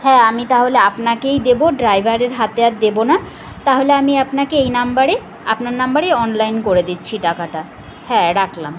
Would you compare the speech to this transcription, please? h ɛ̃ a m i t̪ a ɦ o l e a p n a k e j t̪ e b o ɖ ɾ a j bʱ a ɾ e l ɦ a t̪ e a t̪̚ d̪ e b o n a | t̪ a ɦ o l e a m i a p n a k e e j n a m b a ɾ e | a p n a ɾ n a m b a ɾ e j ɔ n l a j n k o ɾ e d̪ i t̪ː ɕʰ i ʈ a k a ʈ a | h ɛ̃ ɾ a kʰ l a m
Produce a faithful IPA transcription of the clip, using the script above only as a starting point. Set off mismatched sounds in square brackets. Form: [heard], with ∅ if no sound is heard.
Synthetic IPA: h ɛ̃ a m i t̪ a ɦ o l e a p n a k e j [d̪] e b o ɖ ɾ a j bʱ a ɾ e [ɾ] ɦ a t̪ e a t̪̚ d̪ e b o n a | t̪ a ɦ o l e a m i a p n a k e e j n a m b a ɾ e | a p n a ɾ n a m b a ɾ e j ɔ n l a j n k o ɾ e d̪ i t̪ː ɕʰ i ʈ a k a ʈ a | h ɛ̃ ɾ a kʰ l a m